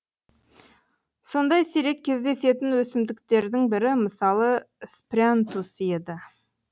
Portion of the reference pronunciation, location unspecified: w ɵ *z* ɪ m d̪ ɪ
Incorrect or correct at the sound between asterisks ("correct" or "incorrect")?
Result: incorrect